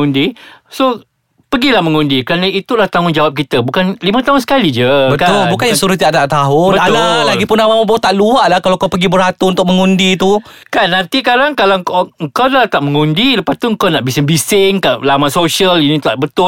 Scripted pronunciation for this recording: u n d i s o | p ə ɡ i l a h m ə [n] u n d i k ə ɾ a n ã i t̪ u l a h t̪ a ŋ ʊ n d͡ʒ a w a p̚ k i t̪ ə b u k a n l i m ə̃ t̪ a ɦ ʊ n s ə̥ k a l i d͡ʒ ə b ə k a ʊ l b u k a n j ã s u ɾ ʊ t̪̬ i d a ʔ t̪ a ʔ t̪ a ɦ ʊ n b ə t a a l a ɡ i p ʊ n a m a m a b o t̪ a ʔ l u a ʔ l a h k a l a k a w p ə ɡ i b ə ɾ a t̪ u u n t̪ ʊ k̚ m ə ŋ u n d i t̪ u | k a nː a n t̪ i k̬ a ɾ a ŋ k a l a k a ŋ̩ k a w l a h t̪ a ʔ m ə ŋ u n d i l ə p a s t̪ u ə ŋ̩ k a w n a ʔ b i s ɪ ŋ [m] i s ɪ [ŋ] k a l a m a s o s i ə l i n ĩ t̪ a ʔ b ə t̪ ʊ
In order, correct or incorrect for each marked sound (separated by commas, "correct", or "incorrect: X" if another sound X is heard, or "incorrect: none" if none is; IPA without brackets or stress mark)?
incorrect: ŋ, incorrect: b, correct